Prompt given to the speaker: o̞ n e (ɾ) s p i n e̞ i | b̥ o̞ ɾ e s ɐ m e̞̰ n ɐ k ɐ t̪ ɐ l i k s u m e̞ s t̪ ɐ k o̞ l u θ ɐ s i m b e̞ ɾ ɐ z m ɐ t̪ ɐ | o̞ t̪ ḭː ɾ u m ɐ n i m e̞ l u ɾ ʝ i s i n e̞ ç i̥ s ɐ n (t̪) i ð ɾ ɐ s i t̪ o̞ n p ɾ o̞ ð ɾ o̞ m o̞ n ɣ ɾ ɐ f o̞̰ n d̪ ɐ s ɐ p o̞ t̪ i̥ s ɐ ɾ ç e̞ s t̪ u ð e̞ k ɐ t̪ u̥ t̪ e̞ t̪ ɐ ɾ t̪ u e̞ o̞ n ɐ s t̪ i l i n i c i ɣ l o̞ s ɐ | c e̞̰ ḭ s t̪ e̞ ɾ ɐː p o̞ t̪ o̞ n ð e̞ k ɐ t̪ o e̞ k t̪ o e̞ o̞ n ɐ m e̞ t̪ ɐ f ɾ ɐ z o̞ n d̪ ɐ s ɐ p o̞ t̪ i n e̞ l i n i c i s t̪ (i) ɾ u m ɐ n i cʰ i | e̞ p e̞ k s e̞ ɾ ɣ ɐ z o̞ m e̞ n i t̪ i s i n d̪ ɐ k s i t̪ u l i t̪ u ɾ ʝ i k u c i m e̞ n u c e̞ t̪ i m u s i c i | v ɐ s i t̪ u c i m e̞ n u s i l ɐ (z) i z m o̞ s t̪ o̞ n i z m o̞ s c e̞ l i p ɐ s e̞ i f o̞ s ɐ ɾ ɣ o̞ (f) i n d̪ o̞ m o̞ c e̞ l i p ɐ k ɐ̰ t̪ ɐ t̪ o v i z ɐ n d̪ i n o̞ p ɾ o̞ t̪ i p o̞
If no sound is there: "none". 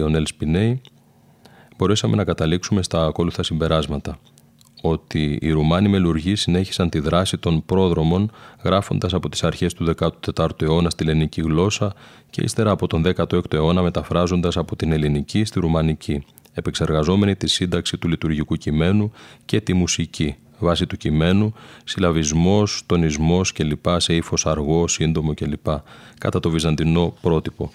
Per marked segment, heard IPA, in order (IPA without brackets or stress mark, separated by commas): l, t̪, i, v, s